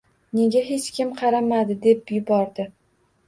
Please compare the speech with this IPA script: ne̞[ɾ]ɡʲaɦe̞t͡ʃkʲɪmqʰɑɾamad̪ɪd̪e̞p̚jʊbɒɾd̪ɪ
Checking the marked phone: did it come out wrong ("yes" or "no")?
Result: yes